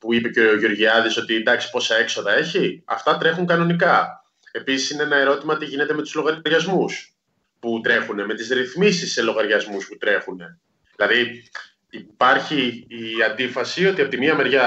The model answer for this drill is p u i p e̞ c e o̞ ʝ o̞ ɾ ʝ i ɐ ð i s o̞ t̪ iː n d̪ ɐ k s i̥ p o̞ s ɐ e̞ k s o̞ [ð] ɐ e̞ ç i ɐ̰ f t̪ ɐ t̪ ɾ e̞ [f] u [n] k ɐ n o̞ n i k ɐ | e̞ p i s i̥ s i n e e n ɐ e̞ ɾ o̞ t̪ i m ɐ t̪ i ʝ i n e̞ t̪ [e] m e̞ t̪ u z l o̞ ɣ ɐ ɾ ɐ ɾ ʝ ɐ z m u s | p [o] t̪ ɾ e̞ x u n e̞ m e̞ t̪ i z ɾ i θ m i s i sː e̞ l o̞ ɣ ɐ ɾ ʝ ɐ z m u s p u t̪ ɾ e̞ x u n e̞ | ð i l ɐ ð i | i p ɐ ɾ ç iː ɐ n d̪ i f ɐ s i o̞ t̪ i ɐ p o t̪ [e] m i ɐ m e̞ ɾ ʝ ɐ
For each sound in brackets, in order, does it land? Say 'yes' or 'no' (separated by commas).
yes, no, no, yes, no, no